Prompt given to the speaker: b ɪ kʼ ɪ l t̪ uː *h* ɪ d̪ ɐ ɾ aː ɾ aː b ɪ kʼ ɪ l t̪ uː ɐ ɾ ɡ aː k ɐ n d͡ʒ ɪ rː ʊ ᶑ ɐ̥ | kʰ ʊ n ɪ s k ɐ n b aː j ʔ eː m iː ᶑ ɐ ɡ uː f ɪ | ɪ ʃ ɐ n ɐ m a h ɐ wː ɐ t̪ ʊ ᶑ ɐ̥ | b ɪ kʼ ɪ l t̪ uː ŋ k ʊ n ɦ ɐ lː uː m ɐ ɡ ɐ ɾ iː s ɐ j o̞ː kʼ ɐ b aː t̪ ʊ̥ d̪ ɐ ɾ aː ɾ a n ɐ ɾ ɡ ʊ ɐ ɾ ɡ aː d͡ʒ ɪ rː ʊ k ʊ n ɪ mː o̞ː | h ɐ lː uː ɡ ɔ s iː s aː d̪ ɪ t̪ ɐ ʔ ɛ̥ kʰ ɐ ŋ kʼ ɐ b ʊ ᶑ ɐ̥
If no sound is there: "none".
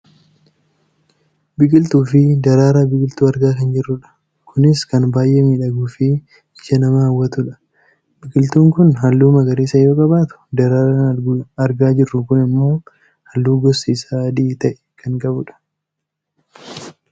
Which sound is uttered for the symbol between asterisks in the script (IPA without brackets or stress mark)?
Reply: f